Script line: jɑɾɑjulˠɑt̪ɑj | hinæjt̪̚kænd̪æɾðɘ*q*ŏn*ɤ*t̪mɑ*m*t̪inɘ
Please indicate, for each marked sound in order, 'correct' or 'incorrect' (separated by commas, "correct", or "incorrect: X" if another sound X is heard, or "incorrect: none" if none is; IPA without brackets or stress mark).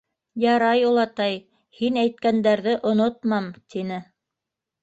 incorrect: ʔ, incorrect: o, correct